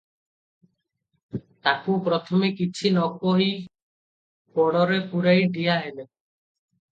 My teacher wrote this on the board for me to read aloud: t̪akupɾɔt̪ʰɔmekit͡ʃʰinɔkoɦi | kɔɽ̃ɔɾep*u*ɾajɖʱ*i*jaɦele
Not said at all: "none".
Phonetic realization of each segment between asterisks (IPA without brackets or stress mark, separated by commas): u, i